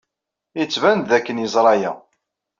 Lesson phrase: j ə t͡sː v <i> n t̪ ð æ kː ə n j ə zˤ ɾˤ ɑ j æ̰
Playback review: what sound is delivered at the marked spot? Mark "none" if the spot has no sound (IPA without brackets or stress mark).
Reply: æ